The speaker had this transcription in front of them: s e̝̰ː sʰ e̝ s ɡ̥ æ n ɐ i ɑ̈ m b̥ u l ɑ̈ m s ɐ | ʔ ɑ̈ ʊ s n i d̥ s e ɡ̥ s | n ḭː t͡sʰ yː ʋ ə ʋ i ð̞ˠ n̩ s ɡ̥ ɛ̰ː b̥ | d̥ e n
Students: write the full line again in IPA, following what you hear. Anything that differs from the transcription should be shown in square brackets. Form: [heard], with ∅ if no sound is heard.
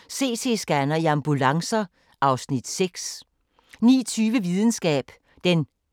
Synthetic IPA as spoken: s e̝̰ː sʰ e̝ s ɡ̥ æ n ɐ i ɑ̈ m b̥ u l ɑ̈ [ŋ] s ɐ | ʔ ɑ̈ ʊ s n i d̥ s e ɡ̥ s | n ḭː t͡sʰ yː ʋ ə ʋ i ð̞ˠ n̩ s ɡ̥ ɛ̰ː b̥ | d̥ e n